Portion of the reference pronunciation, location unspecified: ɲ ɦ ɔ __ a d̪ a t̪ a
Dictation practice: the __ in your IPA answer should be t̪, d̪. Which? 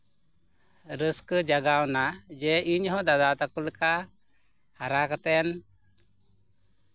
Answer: d̪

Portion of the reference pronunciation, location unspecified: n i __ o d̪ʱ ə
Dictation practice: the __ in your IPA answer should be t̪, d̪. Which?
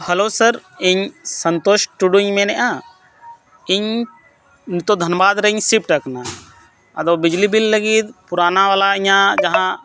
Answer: t̪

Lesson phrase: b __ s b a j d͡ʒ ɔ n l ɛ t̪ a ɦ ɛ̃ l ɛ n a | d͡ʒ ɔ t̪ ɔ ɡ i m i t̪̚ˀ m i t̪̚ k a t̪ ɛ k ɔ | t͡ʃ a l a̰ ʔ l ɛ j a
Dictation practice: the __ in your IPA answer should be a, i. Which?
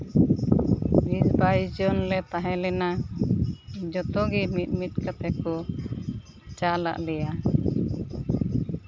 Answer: i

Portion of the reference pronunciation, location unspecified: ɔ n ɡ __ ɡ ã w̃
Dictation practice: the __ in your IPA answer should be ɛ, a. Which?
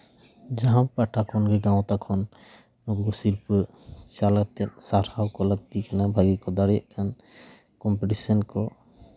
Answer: ɛ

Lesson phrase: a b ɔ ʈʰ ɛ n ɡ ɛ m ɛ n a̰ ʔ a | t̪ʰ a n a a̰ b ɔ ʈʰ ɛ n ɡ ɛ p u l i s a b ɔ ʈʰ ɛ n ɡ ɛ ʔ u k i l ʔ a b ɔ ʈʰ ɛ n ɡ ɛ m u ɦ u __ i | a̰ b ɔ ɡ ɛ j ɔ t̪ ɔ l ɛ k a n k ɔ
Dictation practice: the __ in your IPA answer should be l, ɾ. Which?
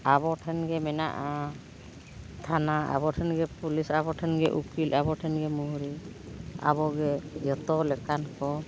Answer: ɾ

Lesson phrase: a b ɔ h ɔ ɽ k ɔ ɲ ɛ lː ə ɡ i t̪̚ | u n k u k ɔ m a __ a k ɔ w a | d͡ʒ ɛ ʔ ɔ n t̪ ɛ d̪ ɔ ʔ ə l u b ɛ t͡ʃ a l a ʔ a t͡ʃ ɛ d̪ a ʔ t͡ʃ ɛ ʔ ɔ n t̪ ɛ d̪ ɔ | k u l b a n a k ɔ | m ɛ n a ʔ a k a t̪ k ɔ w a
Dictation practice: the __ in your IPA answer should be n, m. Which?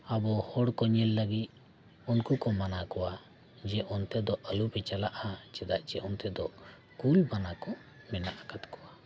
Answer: n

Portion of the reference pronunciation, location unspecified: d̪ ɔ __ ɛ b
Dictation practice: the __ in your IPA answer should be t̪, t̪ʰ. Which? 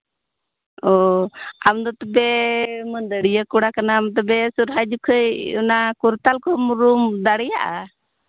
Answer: t̪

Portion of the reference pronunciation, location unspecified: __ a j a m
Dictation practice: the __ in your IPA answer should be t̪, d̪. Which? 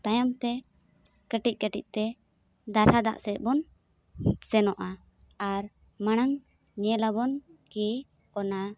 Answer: t̪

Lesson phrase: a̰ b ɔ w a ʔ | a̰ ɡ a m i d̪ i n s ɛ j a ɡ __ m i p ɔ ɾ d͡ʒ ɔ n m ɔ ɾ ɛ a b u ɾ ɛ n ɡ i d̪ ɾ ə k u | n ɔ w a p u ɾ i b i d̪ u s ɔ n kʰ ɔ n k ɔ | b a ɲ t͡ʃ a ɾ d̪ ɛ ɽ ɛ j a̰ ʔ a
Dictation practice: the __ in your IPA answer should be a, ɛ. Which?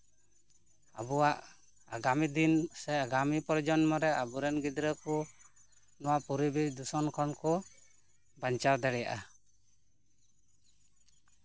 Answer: a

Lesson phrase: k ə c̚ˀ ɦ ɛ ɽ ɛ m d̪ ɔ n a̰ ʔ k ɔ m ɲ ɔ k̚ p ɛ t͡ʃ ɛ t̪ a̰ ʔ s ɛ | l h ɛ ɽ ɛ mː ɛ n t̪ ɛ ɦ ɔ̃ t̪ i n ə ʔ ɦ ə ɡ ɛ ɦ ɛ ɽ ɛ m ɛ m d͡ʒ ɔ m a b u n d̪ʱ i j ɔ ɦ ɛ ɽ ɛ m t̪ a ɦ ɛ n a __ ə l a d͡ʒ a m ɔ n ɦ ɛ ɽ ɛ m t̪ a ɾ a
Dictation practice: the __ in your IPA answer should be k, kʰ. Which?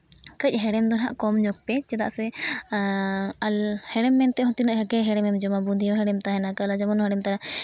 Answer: k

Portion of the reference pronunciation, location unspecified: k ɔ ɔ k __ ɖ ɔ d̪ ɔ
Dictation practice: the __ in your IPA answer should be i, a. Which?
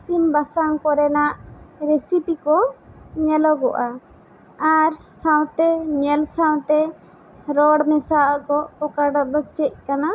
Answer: a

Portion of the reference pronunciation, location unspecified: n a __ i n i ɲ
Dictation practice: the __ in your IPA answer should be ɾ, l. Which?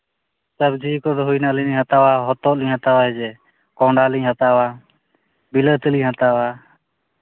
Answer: l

